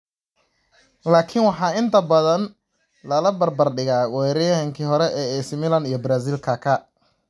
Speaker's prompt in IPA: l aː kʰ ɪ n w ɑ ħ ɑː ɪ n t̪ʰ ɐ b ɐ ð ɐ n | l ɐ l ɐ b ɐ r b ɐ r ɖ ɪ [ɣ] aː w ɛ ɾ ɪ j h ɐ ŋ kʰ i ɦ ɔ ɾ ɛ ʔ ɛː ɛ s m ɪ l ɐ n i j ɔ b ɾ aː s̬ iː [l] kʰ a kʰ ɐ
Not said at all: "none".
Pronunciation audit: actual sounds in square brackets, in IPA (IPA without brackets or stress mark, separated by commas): ɣ, l